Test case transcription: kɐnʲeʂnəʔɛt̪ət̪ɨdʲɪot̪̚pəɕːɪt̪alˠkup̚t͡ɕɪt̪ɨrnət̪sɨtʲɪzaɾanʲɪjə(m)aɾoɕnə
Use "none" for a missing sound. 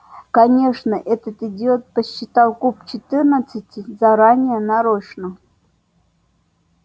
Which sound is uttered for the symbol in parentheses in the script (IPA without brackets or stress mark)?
n